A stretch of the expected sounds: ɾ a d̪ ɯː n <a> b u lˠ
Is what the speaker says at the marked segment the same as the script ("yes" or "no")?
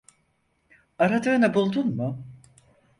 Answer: yes